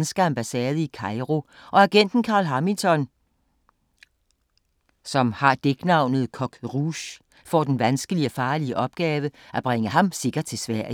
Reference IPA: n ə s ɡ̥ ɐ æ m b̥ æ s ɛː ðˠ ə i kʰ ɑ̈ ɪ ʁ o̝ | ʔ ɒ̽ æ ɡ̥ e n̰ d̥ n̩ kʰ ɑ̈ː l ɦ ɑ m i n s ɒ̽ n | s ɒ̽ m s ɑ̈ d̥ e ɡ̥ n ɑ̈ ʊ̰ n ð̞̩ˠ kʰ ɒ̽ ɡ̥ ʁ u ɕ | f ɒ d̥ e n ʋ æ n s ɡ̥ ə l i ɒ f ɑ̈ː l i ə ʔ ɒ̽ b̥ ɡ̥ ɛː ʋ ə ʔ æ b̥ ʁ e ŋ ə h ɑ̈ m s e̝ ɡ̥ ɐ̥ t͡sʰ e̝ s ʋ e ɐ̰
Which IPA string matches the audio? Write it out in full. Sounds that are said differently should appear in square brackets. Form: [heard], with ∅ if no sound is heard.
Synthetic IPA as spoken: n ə s ɡ̥ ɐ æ m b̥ æ s ɛː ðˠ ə i kʰ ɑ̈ ɪ ʁ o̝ | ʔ ɒ̽ æ ɡ̥ e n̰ d̥ n̩ kʰ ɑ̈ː l ɦ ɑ m i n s ɒ̽ n | s ɒ̽ m [h] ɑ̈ d̥ e ɡ̥ n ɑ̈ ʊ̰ n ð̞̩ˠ kʰ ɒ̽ ɡ̥ ʁ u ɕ | f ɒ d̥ e n ʋ æ n s ɡ̥ ə l i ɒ f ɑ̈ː l i ə ʔ ɒ̽ b̥ ɡ̥ ɛː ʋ ə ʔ æ b̥ ʁ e ŋ ə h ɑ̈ m s e̝ ɡ̥ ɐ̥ t͡sʰ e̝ s ʋ [æ] ɐ̰